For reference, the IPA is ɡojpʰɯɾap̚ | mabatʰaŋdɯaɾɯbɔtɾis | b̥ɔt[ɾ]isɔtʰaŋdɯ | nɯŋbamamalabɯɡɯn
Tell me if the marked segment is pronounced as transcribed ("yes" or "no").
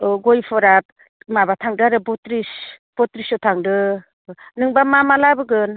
yes